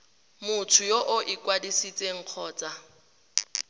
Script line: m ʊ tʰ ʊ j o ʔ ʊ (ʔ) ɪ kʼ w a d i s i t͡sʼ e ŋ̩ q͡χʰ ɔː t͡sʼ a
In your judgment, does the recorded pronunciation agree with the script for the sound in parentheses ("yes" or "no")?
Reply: yes